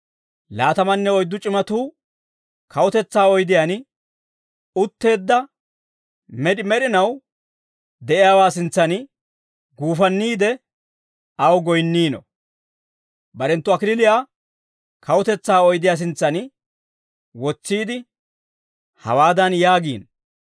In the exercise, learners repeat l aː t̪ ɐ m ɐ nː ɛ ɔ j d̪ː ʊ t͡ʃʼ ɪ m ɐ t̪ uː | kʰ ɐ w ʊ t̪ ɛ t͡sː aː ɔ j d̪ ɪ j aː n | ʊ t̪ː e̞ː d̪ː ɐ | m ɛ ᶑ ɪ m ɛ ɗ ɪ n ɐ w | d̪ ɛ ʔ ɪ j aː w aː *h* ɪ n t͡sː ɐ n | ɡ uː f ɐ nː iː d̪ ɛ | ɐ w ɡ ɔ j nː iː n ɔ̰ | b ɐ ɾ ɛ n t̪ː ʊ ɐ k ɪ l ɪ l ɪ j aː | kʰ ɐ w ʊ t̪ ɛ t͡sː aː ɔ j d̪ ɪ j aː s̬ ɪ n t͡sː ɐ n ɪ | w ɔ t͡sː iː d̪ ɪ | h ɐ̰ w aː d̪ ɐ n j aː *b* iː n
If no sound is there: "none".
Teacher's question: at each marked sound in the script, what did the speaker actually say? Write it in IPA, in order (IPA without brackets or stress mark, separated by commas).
s, ɡ